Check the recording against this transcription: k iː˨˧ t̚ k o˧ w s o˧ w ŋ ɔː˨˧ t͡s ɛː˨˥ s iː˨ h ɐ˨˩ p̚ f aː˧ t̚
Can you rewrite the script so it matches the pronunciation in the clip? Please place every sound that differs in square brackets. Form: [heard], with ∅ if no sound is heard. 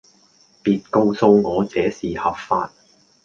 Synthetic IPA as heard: [p] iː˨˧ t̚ k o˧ w s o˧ w ŋ ɔː˨˧ t͡s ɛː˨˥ s iː˨ h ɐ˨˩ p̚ f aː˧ t̚